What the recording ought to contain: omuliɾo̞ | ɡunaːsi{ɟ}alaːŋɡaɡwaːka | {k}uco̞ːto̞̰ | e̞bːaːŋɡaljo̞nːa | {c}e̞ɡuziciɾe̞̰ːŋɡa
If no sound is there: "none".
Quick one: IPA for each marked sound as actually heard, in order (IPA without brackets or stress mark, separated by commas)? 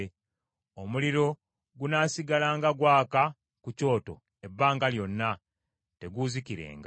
ɡ, k, t